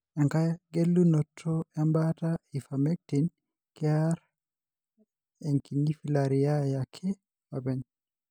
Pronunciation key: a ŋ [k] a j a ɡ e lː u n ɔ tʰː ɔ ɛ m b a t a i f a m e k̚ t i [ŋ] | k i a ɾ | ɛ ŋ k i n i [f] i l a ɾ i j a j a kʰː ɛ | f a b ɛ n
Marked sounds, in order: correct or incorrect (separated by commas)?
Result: correct, incorrect, correct